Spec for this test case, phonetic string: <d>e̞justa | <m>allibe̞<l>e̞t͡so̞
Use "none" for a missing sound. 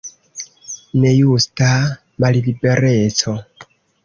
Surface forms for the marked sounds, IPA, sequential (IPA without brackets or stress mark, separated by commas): n, m, ɾ